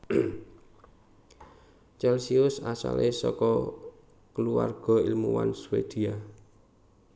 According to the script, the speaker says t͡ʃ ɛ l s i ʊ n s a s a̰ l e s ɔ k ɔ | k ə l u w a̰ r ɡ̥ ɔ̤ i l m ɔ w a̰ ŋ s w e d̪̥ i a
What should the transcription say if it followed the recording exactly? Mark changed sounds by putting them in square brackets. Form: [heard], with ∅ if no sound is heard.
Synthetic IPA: t͡ʃ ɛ l s i ʊ [∅] s a s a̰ l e s ɔ k ɔ | k ə l u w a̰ r ɡ̥ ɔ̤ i l m [u] w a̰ [n] s w e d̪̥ i a